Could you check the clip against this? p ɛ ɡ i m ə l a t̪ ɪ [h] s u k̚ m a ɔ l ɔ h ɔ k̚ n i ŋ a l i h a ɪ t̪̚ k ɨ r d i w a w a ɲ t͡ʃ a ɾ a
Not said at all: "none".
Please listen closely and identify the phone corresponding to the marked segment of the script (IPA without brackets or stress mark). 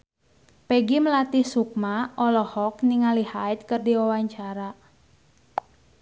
h